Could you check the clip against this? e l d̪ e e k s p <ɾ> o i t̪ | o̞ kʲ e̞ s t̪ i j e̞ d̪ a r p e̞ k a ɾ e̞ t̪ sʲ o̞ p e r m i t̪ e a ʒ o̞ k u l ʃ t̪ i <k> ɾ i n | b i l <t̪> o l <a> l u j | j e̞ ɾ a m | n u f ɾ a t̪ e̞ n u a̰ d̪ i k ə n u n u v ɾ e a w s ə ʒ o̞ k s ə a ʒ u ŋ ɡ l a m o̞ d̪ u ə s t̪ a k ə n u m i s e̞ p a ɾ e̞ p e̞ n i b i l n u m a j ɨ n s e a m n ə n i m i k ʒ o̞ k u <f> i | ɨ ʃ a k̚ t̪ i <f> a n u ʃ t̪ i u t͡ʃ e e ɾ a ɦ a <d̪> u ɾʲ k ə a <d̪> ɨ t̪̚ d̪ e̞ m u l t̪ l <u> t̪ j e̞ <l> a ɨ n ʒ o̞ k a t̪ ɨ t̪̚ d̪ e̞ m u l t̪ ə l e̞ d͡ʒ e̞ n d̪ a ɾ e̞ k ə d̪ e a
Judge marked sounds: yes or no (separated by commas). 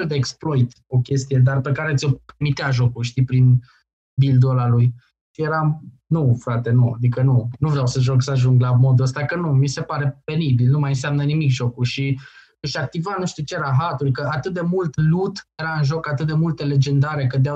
no, no, no, yes, no, no, no, no, yes, no